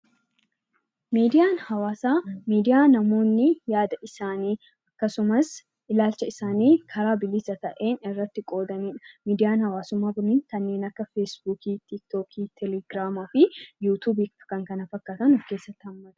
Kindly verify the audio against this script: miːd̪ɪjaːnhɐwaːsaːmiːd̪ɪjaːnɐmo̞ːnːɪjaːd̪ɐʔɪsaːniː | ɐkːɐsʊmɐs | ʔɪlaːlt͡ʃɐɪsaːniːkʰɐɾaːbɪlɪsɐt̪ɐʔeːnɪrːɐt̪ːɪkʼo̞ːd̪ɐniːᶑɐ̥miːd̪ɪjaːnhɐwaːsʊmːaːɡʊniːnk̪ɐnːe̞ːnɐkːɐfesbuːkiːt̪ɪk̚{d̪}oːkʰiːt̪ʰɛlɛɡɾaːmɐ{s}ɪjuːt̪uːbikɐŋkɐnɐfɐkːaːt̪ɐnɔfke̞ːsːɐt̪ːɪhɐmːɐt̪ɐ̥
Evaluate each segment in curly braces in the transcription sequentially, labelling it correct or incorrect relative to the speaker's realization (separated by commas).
incorrect, incorrect